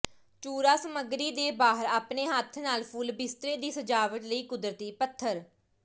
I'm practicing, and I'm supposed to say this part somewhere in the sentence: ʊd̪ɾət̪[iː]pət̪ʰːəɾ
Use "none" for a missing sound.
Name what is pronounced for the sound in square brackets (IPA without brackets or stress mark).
iː